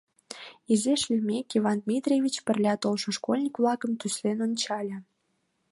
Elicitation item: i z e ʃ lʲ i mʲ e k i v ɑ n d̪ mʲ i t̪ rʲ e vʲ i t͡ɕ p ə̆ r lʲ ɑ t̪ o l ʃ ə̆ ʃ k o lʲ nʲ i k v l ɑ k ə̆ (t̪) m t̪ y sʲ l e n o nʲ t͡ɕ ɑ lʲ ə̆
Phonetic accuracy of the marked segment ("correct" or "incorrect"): incorrect